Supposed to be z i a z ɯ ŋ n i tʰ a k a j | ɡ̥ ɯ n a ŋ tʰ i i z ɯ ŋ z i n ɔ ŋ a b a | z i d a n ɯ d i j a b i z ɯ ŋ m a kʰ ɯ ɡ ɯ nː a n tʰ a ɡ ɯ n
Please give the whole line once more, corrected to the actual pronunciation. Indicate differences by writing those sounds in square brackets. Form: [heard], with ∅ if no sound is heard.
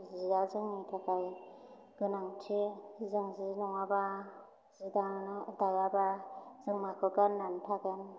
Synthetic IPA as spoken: z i a z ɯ ŋ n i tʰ a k a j | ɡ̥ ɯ n a ŋ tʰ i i z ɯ ŋ z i n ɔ ŋ a b a | z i d a n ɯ d [a] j a b [a] z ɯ ŋ m a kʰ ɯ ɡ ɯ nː a n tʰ a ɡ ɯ n